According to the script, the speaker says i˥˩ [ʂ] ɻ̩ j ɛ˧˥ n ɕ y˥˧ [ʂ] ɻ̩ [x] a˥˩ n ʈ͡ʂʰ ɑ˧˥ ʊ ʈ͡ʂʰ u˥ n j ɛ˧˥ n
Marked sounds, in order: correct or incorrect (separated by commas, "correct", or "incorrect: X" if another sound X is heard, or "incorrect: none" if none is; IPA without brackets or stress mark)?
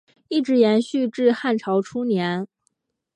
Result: incorrect: ʈ͡ʂ, incorrect: ʈ͡ʂ, correct